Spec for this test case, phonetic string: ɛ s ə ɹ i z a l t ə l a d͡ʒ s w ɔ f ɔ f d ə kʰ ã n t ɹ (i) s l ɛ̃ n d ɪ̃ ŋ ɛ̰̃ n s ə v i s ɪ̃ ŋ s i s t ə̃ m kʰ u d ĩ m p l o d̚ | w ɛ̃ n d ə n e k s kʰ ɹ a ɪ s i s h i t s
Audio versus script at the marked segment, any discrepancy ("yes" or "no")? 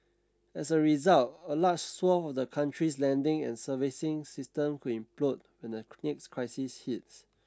no